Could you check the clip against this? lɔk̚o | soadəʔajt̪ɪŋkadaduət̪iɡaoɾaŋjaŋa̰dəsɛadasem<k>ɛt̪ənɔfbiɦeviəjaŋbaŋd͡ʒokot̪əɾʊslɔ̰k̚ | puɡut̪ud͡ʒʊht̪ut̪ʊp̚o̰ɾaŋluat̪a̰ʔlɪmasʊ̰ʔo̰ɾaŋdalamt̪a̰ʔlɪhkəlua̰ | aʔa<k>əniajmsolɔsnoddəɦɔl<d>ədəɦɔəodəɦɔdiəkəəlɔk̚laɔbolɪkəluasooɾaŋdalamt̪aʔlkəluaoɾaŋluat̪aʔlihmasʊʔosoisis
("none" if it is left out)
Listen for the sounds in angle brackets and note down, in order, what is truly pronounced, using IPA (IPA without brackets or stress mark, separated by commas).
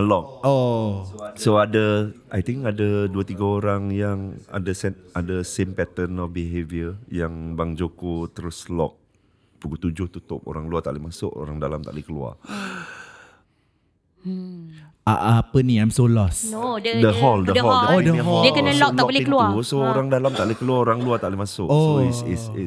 p, p, d